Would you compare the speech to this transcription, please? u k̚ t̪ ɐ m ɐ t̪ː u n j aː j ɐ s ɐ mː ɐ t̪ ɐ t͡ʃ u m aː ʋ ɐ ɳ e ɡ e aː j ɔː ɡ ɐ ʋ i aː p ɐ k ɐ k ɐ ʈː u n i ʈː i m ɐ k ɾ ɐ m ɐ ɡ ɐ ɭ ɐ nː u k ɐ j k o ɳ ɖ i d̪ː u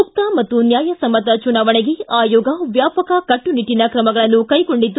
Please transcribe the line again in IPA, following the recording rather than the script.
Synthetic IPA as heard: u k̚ t̪ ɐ m ɐ t̪ː u n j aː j ɐ s ɐ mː ɐ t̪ ɐ t͡ʃ u n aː ʋ ɐ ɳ e ɡ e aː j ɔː ɡ ɐ ʋ j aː p ɐ k ɐ k ɐ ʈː u n i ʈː i n ɐ k ɾ ɐ m ɐ ɡ ɐ ɭ ɐ nː u k ɐ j k o ɳ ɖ i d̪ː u